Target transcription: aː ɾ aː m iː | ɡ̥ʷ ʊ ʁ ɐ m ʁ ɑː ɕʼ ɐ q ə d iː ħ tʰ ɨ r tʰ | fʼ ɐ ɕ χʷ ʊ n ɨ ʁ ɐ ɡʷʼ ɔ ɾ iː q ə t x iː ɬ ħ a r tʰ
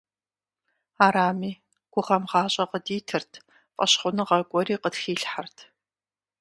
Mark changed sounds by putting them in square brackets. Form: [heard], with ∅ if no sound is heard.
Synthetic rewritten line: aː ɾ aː m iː | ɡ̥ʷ ʊ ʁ ɐ m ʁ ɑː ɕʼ ɐ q ə d iː [∅] tʰ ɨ r tʰ | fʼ ɐ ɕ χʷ ʊ n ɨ ʁ ɐ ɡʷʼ ɔ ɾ iː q ə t x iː ɬ ħ a r tʰ

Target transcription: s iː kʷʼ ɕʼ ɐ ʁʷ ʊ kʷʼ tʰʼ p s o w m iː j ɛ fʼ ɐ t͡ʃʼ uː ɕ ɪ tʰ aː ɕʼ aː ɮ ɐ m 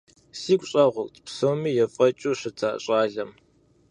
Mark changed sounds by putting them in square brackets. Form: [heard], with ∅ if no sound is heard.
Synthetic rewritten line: s iː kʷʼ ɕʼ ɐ ʁʷ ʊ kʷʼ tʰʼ p s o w m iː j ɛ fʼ ɐ t͡ʃʼ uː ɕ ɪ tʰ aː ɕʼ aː ɮ ɐ m

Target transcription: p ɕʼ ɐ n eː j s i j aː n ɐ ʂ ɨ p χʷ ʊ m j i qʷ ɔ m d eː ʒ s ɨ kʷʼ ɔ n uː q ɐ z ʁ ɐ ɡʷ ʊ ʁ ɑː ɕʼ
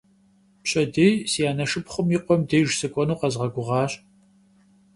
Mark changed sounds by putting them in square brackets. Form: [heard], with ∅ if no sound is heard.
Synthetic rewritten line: p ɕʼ ɐ [d] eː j s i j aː n ɐ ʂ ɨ p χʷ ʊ m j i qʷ ɔ m d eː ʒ s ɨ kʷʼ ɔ n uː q ɐ z ʁ ɐ ɡʷ ʊ ʁ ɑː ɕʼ

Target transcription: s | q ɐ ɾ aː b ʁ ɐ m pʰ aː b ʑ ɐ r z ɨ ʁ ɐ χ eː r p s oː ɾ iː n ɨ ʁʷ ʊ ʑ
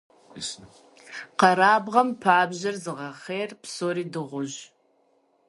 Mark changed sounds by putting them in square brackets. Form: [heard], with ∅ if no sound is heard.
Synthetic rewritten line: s | q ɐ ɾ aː b ʁ ɐ m pʰ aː b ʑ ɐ r z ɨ ʁ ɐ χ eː r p s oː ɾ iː [d] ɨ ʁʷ ʊ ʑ

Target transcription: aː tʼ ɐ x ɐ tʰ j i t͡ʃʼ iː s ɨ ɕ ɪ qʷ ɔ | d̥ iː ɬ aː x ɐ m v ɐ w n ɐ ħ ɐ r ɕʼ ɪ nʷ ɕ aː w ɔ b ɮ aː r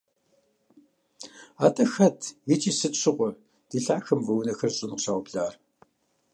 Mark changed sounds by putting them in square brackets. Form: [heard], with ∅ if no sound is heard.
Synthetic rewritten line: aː tʼ ɐ x ɐ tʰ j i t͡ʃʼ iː s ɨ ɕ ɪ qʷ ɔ | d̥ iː ɬ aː x ɐ m v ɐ w n ɐ [x] ɐ r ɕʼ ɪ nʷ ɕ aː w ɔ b ɮ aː r

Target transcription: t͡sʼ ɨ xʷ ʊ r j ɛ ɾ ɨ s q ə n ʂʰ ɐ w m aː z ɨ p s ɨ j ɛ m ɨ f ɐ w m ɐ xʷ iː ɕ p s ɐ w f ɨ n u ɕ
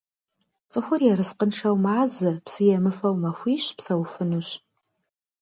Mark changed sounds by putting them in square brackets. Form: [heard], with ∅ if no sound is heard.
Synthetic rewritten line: t͡sʼ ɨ xʷ ʊ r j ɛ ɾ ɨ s q ə n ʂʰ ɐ w m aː z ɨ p s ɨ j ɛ m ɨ f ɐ w m ɐ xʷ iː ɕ p s ɐ w f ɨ n u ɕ

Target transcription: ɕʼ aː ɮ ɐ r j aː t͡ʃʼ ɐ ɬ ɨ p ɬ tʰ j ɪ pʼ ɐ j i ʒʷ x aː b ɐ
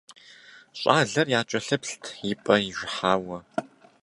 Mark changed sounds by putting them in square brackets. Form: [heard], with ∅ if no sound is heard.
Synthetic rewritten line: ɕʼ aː ɮ ɐ r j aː t͡ʃʼ ɐ ɬ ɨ p ɬ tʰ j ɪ pʼ ɐ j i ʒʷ [ħ] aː [w] ɐ

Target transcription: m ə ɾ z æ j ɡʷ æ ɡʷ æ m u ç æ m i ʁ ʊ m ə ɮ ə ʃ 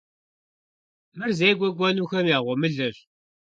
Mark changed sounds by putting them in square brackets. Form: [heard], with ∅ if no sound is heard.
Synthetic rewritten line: m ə ɾ z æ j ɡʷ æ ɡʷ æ [n] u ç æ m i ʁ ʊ m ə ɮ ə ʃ

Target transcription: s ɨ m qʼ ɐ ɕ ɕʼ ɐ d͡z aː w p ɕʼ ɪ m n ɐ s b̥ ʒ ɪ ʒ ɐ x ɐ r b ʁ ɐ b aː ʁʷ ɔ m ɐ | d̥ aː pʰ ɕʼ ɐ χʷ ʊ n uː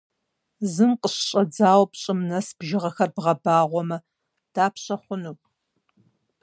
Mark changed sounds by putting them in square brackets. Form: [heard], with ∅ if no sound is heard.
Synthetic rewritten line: [z] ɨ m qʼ [ə] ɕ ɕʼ ɐ d͡z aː w p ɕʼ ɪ m n ɐ s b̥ ʒ ɪ [ʁ] ɐ x ɐ r b ʁ ɐ b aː ʁʷ ɔ m ɐ | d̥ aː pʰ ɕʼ ɐ χʷ ʊ n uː

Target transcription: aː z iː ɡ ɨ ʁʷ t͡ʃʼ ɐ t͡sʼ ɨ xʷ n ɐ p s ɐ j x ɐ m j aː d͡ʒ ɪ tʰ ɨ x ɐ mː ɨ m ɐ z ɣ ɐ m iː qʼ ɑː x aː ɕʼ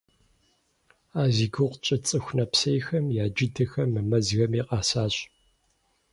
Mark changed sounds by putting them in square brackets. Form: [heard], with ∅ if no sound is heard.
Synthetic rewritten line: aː z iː ɡ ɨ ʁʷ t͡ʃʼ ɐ t͡sʼ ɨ xʷ n ɐ p s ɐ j x ɐ m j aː d͡ʒ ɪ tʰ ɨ x ɐ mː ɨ m ɐ z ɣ ɐ m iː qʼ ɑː [s] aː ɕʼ

